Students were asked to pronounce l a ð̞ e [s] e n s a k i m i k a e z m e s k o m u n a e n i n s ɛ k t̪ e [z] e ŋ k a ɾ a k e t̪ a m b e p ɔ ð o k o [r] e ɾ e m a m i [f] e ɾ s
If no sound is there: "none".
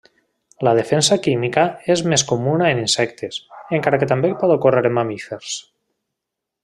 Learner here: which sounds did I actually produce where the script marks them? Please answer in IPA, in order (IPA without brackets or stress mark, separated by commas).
f, s, r, f